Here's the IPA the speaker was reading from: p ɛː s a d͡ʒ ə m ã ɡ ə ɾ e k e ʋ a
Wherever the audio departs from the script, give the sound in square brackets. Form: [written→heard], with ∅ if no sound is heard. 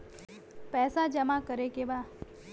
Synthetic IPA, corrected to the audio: p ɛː s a d͡ʒ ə m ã [ɡ→k] ə ɾ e k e ʋ a